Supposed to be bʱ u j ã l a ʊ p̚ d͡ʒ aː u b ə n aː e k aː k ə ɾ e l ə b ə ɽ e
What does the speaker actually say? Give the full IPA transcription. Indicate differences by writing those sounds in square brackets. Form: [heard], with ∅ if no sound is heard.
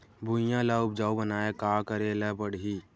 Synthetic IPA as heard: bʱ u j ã l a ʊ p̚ d͡ʒ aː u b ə n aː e k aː k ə ɾ e l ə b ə ɽ [i]